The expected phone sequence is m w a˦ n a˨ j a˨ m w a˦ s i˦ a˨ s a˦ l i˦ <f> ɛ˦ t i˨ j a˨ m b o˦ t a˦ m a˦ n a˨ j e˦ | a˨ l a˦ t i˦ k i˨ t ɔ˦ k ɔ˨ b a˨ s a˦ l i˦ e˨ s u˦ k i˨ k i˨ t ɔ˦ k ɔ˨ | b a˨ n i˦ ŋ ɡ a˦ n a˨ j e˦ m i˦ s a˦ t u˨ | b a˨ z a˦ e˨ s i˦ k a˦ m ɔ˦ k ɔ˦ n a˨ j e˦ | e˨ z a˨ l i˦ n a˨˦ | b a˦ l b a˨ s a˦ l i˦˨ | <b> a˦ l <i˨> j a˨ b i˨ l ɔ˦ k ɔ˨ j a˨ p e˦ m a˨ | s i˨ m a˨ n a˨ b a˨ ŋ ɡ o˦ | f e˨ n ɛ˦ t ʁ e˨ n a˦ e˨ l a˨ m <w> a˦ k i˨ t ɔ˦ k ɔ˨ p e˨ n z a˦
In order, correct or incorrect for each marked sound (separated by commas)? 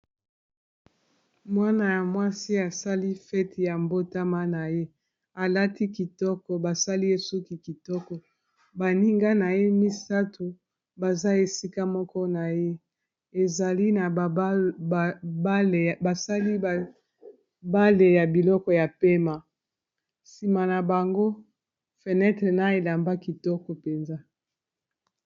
correct, correct, incorrect, incorrect